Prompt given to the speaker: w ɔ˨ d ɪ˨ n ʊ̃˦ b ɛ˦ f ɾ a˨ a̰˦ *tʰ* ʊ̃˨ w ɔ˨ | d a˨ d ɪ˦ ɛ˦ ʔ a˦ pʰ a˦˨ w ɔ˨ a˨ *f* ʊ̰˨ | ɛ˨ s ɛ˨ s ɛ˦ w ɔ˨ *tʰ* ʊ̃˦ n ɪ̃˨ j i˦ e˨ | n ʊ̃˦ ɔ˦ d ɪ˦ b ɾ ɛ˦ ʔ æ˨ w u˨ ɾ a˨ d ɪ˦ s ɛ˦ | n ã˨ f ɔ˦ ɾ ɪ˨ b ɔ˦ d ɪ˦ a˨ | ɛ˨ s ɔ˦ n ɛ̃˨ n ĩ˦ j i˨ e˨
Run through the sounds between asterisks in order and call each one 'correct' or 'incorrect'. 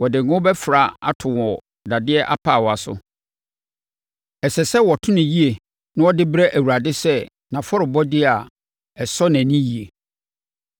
correct, incorrect: s, correct

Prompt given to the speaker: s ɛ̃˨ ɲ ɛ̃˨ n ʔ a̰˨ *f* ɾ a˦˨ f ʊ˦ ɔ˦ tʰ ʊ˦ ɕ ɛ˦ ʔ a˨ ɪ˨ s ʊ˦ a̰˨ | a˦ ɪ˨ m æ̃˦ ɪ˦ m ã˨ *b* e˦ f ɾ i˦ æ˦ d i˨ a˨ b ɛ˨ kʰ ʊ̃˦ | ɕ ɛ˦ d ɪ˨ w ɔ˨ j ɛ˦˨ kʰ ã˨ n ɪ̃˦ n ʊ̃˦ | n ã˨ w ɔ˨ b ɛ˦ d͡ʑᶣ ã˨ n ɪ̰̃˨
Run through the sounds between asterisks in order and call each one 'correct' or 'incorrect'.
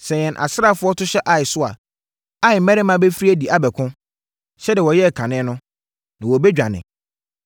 incorrect: s, correct

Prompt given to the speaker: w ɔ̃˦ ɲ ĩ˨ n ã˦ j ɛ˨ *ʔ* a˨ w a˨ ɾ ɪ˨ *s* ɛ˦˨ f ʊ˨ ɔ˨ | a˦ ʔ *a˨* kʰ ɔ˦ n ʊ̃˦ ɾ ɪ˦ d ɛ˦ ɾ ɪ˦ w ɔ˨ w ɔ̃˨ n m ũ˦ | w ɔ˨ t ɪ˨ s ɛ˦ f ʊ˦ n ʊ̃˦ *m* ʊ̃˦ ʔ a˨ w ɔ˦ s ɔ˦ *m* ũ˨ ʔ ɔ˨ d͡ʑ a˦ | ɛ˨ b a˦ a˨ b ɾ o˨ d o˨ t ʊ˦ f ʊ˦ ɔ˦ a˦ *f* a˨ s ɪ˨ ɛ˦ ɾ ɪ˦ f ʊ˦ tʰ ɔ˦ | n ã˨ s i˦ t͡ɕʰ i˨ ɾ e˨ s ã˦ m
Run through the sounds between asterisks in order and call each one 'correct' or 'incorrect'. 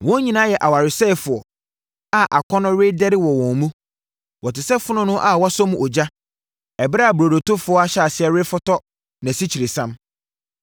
correct, correct, correct, incorrect: n, correct, incorrect: ɕ

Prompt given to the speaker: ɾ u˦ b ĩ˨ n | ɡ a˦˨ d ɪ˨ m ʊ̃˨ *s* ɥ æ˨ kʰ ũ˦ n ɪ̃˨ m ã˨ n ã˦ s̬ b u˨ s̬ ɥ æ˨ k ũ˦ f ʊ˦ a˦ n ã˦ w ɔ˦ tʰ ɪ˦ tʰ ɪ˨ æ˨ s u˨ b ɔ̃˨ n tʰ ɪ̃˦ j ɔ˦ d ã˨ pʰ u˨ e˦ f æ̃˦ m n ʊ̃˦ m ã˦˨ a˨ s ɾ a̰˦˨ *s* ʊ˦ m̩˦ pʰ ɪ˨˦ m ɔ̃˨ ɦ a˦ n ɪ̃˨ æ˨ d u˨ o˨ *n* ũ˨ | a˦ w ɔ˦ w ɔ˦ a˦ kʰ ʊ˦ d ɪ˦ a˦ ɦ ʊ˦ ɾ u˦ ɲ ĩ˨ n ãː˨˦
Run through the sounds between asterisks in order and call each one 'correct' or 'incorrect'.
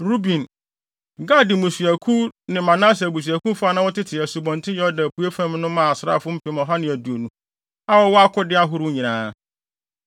correct, incorrect: f, correct

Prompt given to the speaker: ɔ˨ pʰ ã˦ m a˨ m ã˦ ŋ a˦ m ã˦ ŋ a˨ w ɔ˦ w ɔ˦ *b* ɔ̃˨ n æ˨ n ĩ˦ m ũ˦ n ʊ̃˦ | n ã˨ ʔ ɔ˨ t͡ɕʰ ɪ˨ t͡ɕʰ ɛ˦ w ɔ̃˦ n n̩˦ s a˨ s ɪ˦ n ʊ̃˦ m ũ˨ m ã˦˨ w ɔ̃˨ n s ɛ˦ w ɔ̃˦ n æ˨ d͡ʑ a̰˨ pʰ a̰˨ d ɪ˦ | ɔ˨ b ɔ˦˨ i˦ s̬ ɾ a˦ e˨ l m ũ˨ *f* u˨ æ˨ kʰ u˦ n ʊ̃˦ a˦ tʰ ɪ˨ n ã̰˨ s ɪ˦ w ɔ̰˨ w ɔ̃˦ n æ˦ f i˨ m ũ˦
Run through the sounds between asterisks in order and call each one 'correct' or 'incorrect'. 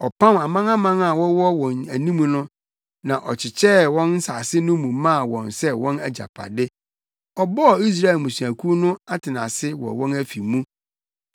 incorrect: w, incorrect: s

